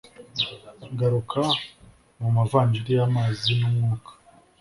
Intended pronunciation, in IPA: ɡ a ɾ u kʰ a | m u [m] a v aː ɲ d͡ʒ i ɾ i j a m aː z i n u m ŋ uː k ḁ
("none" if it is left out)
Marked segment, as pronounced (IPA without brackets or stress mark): m